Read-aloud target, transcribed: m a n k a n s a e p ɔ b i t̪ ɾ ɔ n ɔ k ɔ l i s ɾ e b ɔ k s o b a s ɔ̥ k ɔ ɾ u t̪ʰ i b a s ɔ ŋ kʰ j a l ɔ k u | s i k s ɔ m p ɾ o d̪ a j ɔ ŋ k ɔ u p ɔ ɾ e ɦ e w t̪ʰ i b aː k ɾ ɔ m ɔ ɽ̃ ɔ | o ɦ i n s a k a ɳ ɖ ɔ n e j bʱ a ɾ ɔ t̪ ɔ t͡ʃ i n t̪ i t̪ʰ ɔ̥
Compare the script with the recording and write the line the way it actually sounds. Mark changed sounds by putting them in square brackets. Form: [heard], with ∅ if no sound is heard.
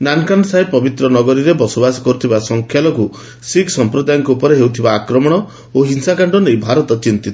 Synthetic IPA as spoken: [n] a n k a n s a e p ɔ b i t̪ ɾ ɔ n ɔ [ɡ] ɔ [ɾ] i [∅] ɾ e b ɔ [∅] s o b a s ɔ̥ k ɔ ɾ u t̪ʰ i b a s ɔ ŋ kʰ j a l ɔ k u | s i k s ɔ m p ɾ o d̪ a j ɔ ŋ k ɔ u p ɔ ɾ e ɦ e w t̪ʰ i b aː k ɾ ɔ m ɔ ɽ̃ ɔ | o ɦ i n s a k a ɳ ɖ ɔ n e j bʱ a ɾ ɔ t̪ ɔ t͡ʃ i n t̪ i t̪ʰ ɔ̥

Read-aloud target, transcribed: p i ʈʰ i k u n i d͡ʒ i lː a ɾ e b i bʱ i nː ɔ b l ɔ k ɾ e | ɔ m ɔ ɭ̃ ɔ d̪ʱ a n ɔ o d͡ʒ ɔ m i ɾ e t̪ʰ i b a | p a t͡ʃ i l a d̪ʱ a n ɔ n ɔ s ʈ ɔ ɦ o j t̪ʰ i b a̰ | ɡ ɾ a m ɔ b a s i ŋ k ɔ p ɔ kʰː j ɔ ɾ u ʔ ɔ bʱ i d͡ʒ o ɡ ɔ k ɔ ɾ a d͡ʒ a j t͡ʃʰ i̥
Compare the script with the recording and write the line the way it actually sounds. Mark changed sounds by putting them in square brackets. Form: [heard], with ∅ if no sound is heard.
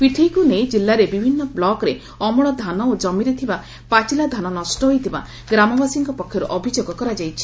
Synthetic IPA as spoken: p i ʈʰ i k u n [e] d͡ʒ i lː a ɾ e b i bʱ i nː ɔ b l ɔ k ɾ e | ɔ m ɔ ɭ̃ ɔ d̪ʱ a n ɔ o d͡ʒ ɔ m i ɾ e t̪ʰ i b a | p a t͡ʃ i l a d̪ʱ a n ɔ n ɔ s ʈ ɔ ɦ o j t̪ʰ i b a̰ | ɡ ɾ a m ɔ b a s i ŋ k ɔ p ɔ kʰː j ɔ ɾ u ʔ ɔ bʱ i d͡ʒ o ɡ ɔ k ɔ ɾ a d͡ʒ a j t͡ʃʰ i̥

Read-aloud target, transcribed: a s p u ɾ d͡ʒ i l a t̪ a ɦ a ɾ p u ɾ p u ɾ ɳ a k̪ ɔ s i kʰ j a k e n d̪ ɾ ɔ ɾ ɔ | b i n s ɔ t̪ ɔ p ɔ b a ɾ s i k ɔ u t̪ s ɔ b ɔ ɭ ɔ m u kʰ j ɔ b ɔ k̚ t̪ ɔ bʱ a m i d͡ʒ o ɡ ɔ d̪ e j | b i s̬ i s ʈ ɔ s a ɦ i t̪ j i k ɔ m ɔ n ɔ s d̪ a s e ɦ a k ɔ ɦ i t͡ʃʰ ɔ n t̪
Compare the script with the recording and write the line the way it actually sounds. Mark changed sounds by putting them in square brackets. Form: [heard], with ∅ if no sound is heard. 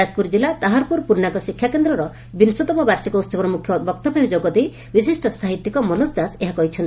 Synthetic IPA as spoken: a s p u ɾ d͡ʒ i l a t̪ a ɦ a ɾ p u ɾ p u ɾ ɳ a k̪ ɔ s i kʰ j a k e n d̪ ɾ ɔ ɾ ɔ | b i n s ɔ t̪ ɔ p ɔ b a ɾ s i k ɔ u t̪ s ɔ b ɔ [ɾ] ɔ m u kʰ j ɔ b ɔ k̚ t̪ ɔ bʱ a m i d͡ʒ o ɡ ɔ d̪ e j | b i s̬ i s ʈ ɔ s a ɦ i t̪ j i k ɔ m ɔ n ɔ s d̪ a s e ɦ a k ɔ ɦ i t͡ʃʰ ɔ n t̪

